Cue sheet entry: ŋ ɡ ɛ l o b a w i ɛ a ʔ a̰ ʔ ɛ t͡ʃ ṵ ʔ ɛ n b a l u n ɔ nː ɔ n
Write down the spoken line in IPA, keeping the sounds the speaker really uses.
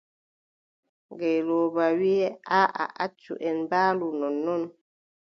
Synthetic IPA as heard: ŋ ɡ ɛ l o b a w i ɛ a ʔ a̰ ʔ a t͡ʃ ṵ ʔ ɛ n b a l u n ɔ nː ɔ n